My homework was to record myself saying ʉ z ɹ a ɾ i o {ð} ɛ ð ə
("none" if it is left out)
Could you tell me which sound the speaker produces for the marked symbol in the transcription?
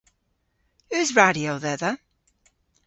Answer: ð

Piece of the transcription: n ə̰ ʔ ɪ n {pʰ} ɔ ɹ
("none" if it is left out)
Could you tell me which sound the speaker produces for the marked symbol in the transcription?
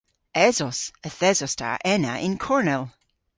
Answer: kʰ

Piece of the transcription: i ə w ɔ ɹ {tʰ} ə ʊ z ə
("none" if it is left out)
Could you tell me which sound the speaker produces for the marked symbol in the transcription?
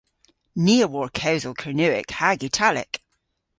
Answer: kʰ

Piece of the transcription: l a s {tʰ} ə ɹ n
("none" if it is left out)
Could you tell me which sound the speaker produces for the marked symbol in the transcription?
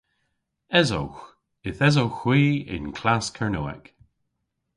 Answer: kʰ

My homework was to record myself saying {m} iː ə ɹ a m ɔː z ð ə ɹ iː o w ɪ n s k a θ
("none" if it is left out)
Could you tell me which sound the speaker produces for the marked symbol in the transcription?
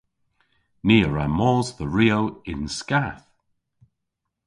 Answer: n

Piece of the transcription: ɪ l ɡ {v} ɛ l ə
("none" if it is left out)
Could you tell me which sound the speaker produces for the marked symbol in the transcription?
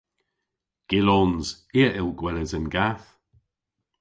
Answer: w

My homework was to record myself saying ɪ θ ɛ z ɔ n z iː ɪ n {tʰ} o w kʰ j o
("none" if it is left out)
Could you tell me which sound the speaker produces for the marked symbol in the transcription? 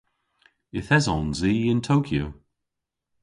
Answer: tʰ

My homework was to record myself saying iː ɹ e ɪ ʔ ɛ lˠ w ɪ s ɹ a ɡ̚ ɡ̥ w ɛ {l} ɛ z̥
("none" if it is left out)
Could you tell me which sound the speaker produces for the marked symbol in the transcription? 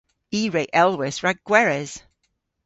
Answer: ɹ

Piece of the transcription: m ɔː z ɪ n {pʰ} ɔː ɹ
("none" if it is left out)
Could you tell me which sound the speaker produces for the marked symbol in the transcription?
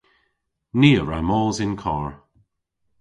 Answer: kʰ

